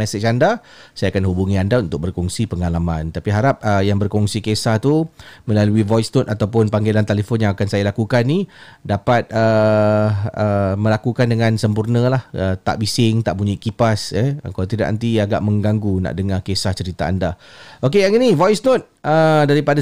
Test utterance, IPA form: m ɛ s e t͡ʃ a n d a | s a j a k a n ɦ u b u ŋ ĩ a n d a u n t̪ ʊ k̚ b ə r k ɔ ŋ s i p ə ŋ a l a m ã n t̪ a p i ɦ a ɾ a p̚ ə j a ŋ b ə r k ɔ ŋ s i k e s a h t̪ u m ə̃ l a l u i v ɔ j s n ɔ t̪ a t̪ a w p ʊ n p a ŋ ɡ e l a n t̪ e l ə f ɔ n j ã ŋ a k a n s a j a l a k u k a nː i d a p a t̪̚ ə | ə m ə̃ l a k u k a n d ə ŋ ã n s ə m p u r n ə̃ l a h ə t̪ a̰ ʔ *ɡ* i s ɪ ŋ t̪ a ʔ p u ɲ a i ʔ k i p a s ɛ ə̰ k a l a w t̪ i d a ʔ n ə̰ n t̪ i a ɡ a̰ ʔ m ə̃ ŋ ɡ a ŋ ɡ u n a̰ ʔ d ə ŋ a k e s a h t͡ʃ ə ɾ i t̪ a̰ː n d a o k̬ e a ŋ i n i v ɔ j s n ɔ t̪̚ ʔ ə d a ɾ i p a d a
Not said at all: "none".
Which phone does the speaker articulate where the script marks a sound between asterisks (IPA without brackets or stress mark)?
b